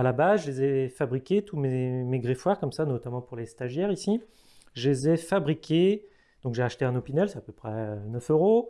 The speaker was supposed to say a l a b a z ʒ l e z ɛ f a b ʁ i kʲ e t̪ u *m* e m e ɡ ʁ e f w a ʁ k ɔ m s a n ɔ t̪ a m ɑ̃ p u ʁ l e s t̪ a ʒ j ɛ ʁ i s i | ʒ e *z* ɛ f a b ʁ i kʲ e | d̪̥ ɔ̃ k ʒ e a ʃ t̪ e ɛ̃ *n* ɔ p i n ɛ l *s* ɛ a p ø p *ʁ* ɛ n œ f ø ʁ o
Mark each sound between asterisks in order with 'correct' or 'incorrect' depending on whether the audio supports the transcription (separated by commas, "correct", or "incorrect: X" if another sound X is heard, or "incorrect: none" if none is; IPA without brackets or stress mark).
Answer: correct, correct, correct, correct, incorrect: χ